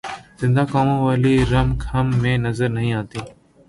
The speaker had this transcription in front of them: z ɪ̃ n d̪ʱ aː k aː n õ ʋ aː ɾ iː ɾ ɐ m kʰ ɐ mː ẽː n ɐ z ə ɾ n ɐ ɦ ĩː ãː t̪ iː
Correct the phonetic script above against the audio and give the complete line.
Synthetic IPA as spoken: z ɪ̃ n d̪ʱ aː k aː m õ ʋ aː l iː ɾ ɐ m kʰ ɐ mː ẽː n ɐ z ə ɾ n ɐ ɦ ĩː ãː t̪ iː